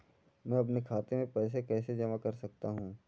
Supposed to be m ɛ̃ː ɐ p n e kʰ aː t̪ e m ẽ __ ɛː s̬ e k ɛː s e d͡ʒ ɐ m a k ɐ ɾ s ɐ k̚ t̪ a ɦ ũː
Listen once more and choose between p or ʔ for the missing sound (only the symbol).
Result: p